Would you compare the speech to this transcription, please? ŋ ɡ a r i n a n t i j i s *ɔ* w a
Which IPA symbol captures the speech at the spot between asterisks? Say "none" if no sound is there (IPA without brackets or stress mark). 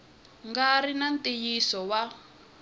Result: ɔ